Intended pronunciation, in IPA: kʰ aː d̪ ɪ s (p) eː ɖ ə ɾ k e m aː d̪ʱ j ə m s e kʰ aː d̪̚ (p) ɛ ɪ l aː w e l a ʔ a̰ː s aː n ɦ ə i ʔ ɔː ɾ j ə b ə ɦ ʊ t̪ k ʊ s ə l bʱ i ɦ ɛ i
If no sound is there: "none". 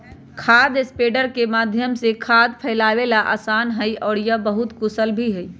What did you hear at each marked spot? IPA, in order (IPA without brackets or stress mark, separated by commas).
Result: p, pʰ